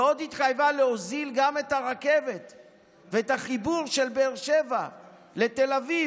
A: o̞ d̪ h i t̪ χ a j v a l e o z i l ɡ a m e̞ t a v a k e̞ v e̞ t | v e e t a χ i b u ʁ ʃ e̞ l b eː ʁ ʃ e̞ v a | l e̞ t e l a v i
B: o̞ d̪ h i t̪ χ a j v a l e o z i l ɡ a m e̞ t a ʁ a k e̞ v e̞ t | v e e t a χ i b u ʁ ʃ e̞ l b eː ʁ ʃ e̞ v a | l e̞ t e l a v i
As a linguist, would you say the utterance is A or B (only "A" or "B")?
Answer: B